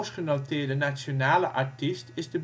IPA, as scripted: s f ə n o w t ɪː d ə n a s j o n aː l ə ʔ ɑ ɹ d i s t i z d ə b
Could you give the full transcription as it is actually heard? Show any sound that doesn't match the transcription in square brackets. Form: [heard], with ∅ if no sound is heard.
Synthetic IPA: s [χ] ə n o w t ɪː d ə n a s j o n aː l ə ʔ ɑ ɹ [t] i s t [ɪ] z d ə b